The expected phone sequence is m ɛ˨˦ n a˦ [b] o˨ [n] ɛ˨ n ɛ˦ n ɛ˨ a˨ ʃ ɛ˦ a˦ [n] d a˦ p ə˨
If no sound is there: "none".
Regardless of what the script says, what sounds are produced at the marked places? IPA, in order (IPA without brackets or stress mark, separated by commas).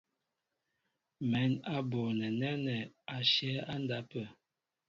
b, n, n